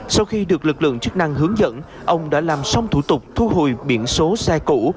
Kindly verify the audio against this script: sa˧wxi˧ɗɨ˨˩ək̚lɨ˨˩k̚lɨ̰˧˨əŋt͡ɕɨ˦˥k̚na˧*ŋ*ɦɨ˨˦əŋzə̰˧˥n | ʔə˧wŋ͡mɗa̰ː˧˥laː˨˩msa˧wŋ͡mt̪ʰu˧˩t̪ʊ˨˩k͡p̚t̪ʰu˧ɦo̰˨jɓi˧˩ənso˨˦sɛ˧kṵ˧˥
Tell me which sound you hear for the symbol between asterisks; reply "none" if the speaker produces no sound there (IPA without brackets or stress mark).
ŋ